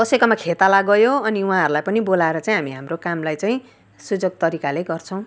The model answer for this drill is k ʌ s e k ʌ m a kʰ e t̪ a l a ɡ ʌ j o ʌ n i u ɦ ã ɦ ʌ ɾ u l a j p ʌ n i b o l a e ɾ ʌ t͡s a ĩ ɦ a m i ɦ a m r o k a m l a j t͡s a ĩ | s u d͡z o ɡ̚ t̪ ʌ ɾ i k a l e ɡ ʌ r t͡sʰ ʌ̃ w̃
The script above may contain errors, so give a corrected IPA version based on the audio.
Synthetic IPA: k ʌ s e k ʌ m a kʰ e t̪ a l a ɡ ʌ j o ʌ n i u ɦ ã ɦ ʌ ɾ u l a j p ʌ n i b o l a e ɾ ʌ t͡s a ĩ ɦ a m i ɦ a m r o k a m l a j t͡s a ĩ | s u d͡z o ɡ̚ t̪ ʌ ɾ i k a l e ɡ ʌ r t͡sʰ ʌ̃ w̃